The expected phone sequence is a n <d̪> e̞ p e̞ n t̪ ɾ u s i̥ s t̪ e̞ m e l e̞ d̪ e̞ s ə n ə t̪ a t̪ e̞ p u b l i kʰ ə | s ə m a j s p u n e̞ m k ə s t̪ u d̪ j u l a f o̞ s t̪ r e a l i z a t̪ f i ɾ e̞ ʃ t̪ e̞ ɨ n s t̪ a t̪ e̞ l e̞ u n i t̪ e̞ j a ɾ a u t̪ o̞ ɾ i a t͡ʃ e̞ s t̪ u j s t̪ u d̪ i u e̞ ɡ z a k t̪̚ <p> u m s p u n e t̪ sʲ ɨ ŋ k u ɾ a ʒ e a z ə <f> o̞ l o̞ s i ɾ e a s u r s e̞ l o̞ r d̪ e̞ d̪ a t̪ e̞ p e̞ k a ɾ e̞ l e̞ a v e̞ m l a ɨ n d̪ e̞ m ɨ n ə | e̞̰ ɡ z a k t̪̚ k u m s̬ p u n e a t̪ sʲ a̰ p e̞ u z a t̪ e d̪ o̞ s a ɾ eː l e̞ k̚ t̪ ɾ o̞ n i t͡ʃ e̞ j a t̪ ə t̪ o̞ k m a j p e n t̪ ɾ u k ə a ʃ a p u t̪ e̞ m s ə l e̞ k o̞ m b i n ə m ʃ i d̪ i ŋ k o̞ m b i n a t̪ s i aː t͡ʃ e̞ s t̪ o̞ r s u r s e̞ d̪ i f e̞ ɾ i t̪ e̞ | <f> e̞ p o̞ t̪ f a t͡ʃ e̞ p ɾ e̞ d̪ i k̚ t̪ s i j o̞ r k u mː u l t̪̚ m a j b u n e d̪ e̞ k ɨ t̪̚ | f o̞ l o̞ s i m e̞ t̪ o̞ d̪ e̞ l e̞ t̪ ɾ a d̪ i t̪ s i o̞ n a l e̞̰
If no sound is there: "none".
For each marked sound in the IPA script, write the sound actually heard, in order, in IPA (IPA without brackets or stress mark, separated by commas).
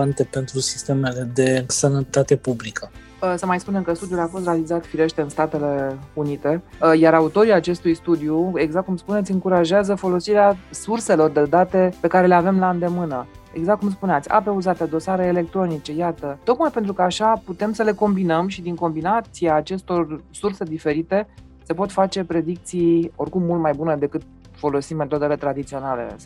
t̪, k, f, s